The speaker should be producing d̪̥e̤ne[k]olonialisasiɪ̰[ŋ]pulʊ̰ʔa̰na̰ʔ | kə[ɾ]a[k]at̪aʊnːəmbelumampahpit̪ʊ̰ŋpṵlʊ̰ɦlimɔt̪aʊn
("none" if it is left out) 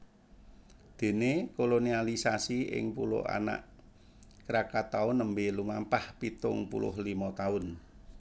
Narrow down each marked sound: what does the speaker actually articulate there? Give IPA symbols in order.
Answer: k, ŋ, ɾ, k

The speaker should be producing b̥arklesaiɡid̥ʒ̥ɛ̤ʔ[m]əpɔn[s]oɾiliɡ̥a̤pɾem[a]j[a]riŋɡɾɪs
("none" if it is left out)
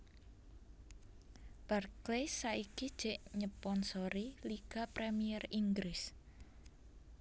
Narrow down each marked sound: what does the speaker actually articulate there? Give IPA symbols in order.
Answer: ɲ, s, i, ɛ

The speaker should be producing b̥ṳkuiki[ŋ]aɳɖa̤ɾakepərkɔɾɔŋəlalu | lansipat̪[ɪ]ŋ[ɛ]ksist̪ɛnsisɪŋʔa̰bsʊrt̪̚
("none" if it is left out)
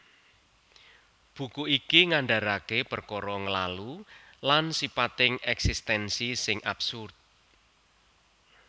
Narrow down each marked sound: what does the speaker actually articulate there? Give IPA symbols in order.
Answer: ŋ, ɪ, ɛ

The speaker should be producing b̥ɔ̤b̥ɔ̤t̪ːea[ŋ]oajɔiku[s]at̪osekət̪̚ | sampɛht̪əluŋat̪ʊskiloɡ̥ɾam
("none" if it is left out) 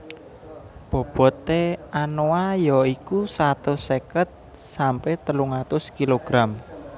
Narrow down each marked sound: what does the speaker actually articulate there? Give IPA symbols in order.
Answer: n, s

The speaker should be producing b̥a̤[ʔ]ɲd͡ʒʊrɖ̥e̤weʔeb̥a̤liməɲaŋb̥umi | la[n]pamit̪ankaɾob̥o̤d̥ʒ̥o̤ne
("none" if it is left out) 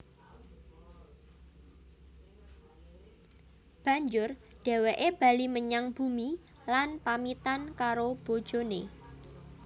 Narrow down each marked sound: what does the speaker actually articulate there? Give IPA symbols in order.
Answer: none, n

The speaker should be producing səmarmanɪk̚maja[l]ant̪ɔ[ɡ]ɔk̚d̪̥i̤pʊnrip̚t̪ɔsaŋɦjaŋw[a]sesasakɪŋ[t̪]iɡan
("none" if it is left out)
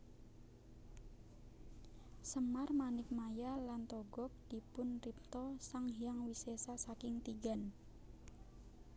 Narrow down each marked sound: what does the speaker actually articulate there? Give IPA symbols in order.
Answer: l, ɡ, i, t̪

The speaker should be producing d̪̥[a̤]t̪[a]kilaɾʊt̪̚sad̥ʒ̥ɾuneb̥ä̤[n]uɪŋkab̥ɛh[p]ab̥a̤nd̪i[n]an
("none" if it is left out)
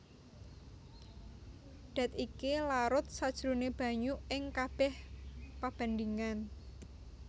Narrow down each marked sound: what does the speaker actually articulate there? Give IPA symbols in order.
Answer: a̤, i, ɲ, p, ŋ

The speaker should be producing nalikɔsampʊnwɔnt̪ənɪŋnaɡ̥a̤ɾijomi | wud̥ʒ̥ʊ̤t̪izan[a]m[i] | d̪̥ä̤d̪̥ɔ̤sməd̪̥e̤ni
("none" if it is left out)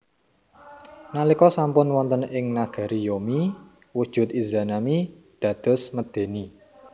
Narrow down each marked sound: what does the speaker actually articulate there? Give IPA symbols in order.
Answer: a, i

